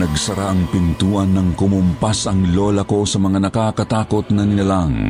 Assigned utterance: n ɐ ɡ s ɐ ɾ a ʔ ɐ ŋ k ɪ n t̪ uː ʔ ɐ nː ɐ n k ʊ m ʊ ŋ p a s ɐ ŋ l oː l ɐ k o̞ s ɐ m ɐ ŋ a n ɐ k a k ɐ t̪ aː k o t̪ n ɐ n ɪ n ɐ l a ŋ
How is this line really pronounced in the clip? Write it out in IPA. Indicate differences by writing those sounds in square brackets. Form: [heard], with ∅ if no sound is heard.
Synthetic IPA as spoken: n ɐ ɡ s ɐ ɾ a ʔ ɐ ŋ [p] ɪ n t̪ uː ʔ ɐ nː ɐ [ŋ] k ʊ m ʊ [m] p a s ɐ ŋ l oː l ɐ k o̞ s ɐ m ɐ ŋ a n ɐ k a k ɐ t̪ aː k o t̪ n ɐ n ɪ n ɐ l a ŋ